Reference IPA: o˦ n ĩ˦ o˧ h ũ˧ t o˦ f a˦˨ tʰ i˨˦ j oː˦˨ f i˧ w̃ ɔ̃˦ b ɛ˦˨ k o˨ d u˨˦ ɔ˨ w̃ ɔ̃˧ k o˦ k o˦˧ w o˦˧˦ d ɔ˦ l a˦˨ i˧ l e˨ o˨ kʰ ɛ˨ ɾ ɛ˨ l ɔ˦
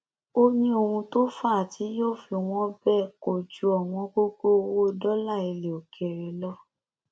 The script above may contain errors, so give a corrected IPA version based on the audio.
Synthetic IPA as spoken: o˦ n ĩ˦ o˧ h ũ˧ t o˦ f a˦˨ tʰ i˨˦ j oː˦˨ f i˧ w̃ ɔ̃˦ b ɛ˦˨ k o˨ d͡ʒ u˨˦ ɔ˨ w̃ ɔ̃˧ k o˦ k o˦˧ w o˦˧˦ d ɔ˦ l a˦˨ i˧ l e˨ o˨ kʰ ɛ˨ ɾ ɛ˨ l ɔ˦